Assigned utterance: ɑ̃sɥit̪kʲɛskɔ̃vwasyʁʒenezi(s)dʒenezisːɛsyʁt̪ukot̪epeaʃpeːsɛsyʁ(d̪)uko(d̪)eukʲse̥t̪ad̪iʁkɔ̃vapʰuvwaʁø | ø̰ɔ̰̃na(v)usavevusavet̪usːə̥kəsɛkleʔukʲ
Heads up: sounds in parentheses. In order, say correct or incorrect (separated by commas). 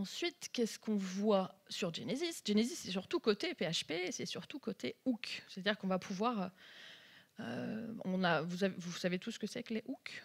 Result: correct, incorrect, incorrect, correct